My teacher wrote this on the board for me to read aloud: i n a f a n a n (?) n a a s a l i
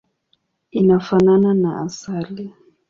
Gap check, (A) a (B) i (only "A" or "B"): A